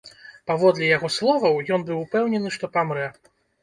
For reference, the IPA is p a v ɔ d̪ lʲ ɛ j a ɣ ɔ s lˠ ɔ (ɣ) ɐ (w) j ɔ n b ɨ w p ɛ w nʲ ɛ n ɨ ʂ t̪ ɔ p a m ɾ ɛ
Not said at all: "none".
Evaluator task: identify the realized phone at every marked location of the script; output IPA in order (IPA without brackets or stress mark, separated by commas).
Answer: v, w